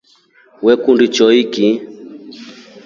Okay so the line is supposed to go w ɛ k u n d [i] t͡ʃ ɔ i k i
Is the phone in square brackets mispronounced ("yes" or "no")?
no